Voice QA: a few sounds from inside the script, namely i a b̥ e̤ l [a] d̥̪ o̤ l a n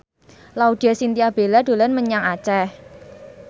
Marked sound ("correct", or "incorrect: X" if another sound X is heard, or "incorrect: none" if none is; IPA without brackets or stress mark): correct